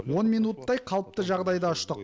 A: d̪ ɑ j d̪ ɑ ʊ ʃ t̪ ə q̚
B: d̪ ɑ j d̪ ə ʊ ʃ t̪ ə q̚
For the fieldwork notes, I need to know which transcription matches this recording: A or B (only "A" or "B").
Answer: A